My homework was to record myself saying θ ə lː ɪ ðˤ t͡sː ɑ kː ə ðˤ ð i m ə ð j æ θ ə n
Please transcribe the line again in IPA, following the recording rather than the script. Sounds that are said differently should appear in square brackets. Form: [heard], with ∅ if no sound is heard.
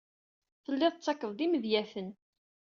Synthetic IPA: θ ə lː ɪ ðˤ t͡sː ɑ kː ə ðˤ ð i m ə ð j æ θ ə n